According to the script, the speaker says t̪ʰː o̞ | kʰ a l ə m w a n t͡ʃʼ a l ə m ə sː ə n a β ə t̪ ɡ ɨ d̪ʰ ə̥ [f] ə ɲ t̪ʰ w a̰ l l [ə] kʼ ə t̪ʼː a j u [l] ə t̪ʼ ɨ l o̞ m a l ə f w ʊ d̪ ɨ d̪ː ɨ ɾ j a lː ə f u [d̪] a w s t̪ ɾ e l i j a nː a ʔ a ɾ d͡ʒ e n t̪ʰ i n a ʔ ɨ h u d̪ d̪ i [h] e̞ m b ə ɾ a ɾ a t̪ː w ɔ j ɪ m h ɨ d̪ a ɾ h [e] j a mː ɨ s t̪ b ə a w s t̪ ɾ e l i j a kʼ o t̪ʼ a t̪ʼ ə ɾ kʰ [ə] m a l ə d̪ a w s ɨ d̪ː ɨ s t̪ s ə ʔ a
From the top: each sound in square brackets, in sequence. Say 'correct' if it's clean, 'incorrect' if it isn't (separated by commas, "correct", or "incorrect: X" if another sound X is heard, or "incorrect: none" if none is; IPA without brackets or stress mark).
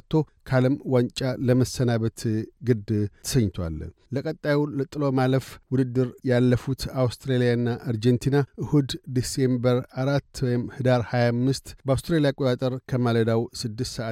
incorrect: s, correct, correct, incorrect: t̪, incorrect: s, incorrect: a, correct